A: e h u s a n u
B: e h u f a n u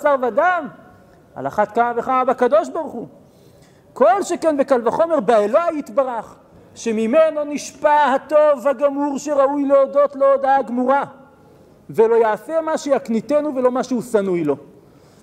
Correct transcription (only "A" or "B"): A